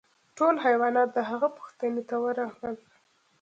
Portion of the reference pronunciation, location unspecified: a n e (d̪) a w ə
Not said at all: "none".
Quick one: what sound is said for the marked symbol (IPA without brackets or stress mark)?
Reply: t̪